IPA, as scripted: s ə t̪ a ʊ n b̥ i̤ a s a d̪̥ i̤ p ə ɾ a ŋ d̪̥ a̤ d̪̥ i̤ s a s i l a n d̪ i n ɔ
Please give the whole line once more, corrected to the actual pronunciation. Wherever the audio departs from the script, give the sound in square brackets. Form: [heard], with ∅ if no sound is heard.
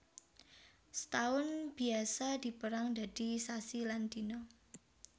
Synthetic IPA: s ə t̪ a ʊ n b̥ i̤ a s a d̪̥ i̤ p ə ɾ a ŋ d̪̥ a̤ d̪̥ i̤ s a s i l a n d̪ i n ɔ